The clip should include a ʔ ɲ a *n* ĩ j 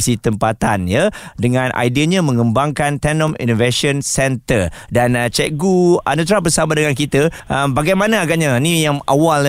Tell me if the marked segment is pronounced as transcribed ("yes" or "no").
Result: yes